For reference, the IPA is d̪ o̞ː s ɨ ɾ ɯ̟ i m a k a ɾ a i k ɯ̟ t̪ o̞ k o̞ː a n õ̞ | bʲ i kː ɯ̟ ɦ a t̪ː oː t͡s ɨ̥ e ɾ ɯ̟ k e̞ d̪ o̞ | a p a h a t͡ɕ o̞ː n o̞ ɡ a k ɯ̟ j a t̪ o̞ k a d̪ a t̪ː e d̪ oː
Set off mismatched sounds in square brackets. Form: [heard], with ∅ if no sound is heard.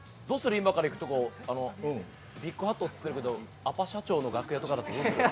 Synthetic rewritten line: d̪ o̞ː s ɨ ɾ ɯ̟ i m a k a ɾ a i k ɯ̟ t̪ o̞ k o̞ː a n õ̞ | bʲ i kː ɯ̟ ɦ a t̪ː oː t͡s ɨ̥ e ɾ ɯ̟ k e̞ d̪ o̞ | a p a [ɕ] a t͡ɕ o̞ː n o̞ ɡ a k ɯ̟ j a t̪ o̞ k a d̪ a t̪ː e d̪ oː